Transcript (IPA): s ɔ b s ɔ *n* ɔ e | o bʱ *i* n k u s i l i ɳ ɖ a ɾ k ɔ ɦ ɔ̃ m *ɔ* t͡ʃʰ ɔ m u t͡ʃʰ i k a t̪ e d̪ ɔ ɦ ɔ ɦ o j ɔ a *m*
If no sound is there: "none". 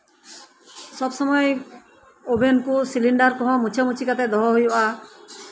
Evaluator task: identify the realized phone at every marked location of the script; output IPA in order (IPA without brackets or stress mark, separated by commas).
m, e, u, none